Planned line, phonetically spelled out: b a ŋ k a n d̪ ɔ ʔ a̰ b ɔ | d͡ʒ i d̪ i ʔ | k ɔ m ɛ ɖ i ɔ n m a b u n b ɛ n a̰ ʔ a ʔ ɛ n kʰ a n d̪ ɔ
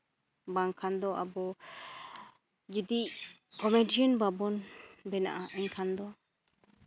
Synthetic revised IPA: b a ŋ kʰ a n d̪ ɔ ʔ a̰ b ɔ | d͡ʒ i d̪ i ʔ | k ɔ m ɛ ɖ i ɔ n b a b ɔ n b ɛ n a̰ ʔ a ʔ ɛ ɲ kʰ a n d̪ ɔ